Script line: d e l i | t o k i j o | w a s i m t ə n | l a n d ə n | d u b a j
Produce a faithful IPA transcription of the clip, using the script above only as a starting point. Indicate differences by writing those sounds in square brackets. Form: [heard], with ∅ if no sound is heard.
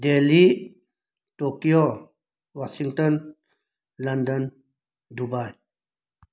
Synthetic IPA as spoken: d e l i | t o k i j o | w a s i [ŋ] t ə n | l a n d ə n | d u b a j